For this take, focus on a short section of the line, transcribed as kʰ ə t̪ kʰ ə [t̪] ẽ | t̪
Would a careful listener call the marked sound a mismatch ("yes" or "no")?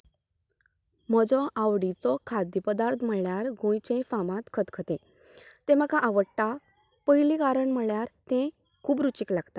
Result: no